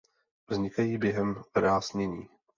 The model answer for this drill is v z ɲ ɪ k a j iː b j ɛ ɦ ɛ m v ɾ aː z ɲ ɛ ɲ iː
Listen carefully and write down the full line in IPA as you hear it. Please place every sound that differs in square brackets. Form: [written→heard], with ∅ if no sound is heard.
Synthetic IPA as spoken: v z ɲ ɪ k a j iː b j ɛ ɦ ɛ m v ɾ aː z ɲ ɛ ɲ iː